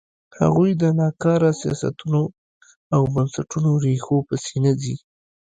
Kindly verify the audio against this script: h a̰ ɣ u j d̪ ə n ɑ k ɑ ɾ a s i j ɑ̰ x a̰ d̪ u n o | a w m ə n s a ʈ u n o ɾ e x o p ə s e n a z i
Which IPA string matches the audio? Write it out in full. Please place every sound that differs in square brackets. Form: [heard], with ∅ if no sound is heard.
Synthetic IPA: h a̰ ɣ u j d̪ ə n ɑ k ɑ ɾ a s i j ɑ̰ [s] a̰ [t̪] u n o | a w [b] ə n s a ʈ u n o ɾ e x o p ə s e n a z i